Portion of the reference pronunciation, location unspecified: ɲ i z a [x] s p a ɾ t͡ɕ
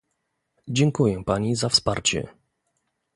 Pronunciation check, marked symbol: incorrect: f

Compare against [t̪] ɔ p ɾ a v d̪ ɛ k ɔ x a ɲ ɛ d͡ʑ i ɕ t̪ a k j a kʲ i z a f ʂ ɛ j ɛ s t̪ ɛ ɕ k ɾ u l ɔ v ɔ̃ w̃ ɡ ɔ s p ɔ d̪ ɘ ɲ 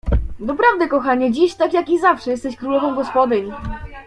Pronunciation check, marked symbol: incorrect: d̪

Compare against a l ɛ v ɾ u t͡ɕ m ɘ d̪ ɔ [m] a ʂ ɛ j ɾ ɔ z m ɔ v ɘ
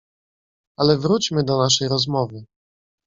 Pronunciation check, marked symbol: incorrect: n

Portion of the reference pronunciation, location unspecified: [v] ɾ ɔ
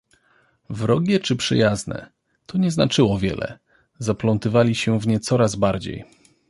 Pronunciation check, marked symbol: correct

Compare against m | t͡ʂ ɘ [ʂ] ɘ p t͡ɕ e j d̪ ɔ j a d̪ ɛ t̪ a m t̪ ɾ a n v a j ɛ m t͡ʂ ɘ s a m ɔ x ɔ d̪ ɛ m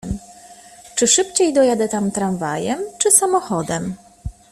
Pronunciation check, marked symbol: correct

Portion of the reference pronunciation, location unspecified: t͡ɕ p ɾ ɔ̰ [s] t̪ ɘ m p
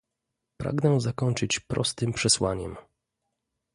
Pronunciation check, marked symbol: correct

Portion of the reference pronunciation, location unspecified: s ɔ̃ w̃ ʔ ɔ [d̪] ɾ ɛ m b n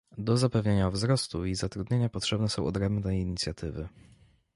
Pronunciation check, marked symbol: correct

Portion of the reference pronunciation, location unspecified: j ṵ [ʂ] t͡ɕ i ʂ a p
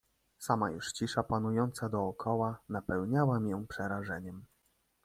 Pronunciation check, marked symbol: correct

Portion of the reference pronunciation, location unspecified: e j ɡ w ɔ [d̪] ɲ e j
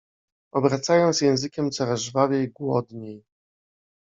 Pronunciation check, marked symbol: correct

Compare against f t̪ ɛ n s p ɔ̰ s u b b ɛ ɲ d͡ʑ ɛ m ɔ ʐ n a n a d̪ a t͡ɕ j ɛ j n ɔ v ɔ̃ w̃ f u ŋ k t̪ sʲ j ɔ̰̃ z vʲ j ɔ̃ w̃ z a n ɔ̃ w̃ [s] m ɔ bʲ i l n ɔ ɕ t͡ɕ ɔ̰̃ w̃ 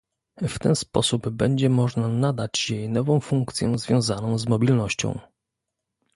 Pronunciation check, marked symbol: incorrect: z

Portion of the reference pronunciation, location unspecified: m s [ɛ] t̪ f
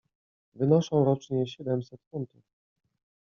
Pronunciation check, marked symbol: correct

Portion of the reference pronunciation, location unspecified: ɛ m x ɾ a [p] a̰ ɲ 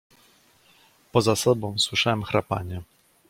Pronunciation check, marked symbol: correct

